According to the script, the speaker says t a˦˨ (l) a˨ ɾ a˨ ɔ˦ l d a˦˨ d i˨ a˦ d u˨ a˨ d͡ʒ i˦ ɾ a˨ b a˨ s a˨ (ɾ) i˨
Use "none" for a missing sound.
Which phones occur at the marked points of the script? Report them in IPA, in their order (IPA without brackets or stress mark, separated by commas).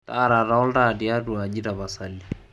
ɾ, l